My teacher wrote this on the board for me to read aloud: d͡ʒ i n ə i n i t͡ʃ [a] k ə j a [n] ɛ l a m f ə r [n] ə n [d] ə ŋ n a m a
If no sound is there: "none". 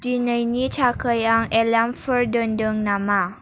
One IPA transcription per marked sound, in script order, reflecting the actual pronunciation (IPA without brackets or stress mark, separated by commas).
a, ŋ, d, d